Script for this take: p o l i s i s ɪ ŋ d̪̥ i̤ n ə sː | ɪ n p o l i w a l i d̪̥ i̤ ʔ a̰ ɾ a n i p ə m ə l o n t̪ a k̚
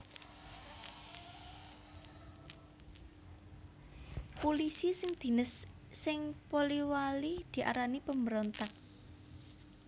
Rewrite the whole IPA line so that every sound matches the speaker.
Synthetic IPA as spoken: p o l i s i s ɪ ŋ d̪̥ i̤ n ə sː | ɪ ŋ p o l i w a l i d̪̥ i̤ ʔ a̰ ɾ a n i p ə m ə ɾ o n t̪ a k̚